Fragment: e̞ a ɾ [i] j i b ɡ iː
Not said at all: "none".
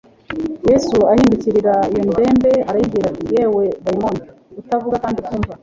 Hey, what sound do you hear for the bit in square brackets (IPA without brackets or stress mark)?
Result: a